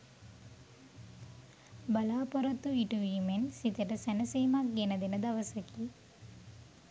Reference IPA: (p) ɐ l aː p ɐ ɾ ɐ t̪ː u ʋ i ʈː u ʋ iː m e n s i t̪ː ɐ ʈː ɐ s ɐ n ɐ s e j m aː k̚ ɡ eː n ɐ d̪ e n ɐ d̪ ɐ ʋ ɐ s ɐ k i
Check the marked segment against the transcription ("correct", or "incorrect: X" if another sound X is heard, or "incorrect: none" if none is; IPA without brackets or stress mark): incorrect: b